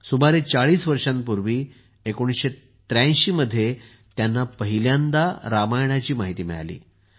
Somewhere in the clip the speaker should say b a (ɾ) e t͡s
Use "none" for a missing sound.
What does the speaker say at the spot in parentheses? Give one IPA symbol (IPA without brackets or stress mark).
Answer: ɾ